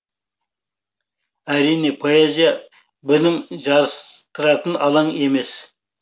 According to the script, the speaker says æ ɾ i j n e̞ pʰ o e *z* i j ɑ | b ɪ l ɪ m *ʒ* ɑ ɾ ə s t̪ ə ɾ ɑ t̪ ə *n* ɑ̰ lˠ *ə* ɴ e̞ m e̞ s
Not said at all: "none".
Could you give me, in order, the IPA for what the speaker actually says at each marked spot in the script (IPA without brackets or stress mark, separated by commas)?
z, ʒ, n, ɑ